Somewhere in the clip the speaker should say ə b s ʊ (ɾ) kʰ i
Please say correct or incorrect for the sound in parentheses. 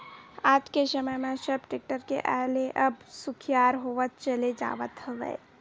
incorrect: none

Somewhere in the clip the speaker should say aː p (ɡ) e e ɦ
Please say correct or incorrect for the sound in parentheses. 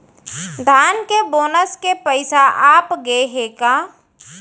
correct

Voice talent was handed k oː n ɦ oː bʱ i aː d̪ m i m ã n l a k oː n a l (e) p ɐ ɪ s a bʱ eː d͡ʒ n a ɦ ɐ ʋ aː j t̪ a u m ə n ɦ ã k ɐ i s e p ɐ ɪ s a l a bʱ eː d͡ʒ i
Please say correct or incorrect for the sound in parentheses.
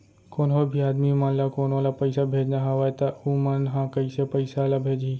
incorrect: a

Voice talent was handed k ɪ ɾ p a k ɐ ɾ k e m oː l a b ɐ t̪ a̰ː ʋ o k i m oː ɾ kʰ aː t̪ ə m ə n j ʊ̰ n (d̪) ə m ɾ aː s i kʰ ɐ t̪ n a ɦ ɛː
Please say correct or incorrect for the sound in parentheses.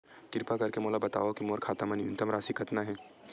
incorrect: t̪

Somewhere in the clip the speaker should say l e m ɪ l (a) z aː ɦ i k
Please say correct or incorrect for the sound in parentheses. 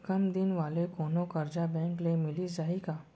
incorrect: i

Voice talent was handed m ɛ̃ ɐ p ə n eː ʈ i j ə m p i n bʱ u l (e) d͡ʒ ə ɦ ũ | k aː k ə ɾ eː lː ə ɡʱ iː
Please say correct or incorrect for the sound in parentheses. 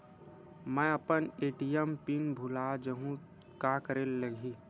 incorrect: a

